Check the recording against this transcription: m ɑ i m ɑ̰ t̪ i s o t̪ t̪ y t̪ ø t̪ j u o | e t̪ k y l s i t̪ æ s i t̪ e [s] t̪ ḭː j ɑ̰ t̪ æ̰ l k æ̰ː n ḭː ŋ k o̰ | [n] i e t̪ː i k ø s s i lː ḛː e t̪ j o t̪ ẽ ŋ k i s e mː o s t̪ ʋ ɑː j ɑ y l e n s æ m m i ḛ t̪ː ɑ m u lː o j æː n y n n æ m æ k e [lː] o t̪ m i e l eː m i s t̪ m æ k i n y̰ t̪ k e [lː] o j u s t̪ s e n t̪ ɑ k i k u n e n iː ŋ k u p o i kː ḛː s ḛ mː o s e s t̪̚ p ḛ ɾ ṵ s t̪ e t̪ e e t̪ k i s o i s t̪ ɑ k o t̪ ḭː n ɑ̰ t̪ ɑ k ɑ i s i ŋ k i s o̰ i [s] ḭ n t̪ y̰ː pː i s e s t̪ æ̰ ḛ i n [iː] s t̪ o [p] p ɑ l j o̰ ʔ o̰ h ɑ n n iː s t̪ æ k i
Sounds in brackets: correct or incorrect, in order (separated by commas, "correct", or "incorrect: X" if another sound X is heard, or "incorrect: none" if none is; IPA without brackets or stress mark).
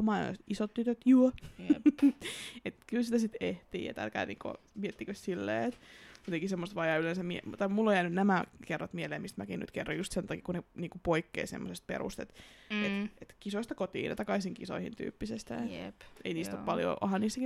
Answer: incorrect: h, incorrect: m, incorrect: rː, incorrect: rː, incorrect: h, correct, correct